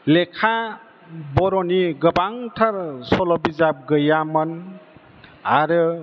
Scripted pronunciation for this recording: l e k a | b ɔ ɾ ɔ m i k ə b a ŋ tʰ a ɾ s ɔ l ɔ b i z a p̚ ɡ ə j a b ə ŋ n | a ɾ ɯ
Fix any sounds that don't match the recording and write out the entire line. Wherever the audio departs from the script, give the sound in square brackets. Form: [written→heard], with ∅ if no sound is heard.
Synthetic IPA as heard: l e [k→kʰ] a | b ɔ ɾ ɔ [m→n] i [k→ɡ] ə b a ŋ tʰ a ɾ s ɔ l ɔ b i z a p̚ ɡ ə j a [b→m] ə [ŋ→∅] n | a ɾ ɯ